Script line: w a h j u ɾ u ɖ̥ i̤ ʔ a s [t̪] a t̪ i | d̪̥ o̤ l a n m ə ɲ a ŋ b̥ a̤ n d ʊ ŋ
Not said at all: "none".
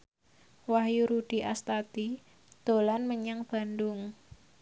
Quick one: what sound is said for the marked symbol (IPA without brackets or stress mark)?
t̪